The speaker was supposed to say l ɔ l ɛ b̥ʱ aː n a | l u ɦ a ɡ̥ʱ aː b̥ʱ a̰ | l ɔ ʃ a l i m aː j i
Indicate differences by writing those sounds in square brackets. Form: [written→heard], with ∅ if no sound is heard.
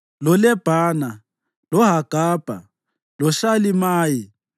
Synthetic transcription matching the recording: l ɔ l ɛ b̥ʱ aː n a | l [u→ɔ] ɦ a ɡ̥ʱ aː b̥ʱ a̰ | l ɔ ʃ a l i m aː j i